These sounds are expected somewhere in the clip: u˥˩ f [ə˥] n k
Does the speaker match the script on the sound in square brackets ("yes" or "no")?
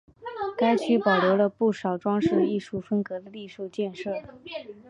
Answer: yes